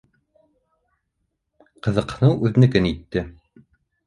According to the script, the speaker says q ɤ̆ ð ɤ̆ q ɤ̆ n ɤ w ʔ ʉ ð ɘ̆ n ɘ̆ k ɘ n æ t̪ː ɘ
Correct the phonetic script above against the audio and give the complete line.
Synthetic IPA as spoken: q ɤ̆ ð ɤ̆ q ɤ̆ n ɤ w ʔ ʉ ð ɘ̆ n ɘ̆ k ɘ n i t̪ː ɘ

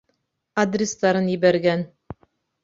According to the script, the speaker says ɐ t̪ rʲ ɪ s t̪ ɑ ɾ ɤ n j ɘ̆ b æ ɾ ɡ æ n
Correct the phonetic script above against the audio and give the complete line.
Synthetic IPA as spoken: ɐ d̪ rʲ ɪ s t̪ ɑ ɾ ɤ n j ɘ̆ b æ ɾ ɡ æ n

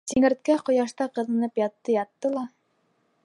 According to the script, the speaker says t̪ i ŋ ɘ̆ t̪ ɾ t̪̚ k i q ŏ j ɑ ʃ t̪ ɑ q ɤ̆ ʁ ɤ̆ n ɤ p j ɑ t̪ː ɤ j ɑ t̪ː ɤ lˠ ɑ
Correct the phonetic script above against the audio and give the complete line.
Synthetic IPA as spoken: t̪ i ŋ ɘ̆ ɾ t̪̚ k æ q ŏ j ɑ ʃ t̪ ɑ q ɤ̆ ð ɤ̆ n ɤ p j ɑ t̪ː ɤ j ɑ t̪ː ɤ lˠ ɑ

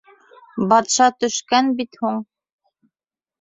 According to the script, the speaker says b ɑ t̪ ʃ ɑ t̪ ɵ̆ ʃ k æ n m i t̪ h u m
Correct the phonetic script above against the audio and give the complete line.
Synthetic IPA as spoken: b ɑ t̪ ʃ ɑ t̪ ɵ̆ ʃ k æ n b i t̪ h u ɴ

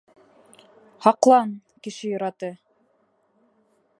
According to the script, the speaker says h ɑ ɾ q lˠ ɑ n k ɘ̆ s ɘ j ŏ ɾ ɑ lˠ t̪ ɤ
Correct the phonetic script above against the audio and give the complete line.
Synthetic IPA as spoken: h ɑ q lˠ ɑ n k ɘ̆ ʃ ɘ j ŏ ɾ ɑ t̪ ɤ

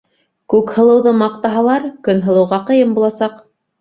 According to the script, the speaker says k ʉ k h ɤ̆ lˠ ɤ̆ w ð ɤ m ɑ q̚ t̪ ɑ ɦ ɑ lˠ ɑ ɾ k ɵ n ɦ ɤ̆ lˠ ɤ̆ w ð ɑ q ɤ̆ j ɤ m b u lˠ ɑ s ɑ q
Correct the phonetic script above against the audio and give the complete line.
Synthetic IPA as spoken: k ʉ k h ɤ̆ lˠ ɤ̆ w ð ɤ m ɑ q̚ t̪ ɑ ɦ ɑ lˠ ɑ ɾ k ɵ n ɦ ɤ̆ lˠ ɤ̆ w ʁ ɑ q ɤ̆ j ɤ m b u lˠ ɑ s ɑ q

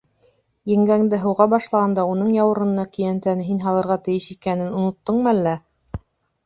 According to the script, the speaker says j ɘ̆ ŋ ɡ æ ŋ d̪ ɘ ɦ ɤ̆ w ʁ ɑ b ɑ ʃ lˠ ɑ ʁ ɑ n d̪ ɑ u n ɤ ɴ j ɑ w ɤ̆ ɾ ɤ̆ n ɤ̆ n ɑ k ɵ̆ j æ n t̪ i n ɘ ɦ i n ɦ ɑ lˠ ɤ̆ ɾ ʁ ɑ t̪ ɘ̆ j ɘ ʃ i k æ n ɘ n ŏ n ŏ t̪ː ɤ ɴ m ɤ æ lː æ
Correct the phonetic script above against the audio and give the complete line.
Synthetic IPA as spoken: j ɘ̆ ŋ ɡ æ ŋ d̪ ɘ ɦ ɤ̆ w ʁ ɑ b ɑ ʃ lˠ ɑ ʁ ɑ n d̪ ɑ u n ɤ ɴ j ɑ w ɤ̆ ɾ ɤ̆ n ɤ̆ n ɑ k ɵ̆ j æ n t̪ æ n ɘ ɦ i n ɦ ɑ lˠ ɤ̆ ɾ ʁ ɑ t̪ ɘ̆ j ɘ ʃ i k æ n ɘ n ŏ n ŏ t̪ː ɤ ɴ m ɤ æ lː æ

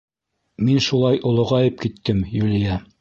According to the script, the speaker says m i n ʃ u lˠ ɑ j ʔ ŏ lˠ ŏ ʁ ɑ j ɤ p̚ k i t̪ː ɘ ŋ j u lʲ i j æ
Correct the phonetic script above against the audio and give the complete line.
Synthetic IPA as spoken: m i n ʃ u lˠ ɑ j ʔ ŏ lˠ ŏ ʁ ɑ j ɤ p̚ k i t̪ː ɘ m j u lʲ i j æ

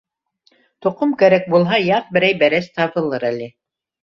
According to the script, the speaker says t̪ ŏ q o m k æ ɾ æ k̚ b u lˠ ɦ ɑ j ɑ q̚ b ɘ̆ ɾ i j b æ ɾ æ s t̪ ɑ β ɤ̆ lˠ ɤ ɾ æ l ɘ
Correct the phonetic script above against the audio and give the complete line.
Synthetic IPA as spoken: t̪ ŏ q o m k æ ɾ æ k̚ b u lˠ ɦ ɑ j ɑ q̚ b ɘ̆ ɾ æ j b æ ɾ æ s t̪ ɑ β ɤ̆ lˠ ɤ ɾ æ l ɘ

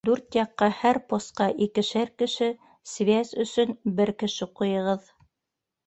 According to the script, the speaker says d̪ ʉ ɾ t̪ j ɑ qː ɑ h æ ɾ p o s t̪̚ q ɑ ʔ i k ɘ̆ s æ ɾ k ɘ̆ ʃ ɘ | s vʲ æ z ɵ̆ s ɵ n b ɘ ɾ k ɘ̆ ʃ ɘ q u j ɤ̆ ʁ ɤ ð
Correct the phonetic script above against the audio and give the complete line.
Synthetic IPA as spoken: d̪ ʉ ɾ t̪ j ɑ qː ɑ h æ ɾ p o s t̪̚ q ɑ ʔ i k ɘ̆ ʃ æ ɾ k ɘ̆ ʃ ɘ | s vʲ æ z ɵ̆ s ɵ n b ɘ ɾ k ɘ̆ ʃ ɘ q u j ɤ̆ ʁ ɤ ð

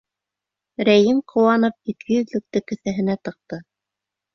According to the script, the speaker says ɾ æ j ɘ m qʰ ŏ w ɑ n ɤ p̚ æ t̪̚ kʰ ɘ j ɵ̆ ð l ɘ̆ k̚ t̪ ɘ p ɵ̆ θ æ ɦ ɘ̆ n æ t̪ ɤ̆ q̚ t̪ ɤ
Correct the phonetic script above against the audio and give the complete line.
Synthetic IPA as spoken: ɾ æ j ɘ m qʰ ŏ w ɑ n ɤ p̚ i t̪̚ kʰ ɘ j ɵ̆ ð l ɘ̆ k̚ t̪ ɘ k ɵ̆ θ æ ɦ ɘ̆ n æ t̪ ɤ̆ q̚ t̪ ɤ

